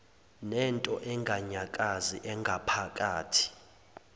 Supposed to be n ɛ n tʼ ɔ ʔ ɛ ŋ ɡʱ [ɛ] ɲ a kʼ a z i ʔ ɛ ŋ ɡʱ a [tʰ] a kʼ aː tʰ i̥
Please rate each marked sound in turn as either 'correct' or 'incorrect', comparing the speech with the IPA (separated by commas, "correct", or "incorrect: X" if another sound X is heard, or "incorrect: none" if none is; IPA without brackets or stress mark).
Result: incorrect: a, incorrect: pʰ